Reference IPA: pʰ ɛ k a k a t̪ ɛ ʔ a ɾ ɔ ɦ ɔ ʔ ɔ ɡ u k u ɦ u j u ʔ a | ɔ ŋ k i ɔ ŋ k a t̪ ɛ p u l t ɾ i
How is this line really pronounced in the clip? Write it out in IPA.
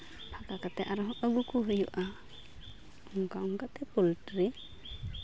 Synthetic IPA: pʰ a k a k a t̪ ɛ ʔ a ɾ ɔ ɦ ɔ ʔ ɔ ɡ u k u ɦ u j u ʔ a | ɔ ŋ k a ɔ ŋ k a t̪ ɛ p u l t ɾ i